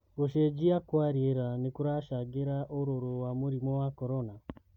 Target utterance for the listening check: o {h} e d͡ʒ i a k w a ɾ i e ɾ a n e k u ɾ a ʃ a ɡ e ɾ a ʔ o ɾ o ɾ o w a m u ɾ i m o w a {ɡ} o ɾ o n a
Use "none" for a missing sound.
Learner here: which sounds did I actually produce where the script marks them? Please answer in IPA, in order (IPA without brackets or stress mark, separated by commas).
ʃ, k